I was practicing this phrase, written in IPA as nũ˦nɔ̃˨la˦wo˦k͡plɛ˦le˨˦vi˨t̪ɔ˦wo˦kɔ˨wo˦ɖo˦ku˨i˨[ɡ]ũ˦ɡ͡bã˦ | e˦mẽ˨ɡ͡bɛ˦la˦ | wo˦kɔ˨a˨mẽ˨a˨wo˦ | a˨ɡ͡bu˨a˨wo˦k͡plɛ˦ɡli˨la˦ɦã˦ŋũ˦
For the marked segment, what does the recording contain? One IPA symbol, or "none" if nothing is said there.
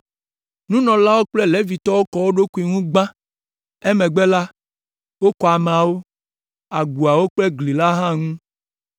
ŋ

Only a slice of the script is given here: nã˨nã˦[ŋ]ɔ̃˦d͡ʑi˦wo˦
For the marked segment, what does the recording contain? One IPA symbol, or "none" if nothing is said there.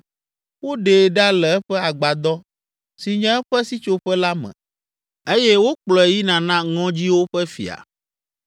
ŋ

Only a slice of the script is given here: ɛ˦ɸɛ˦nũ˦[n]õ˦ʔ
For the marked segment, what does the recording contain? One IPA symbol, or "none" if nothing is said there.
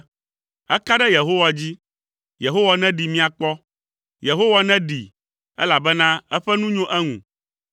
ɲ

